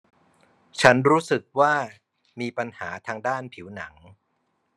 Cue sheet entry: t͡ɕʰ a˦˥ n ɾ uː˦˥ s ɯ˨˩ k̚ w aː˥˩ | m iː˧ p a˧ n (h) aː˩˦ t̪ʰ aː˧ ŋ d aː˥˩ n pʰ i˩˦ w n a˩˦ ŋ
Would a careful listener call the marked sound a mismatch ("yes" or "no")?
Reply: no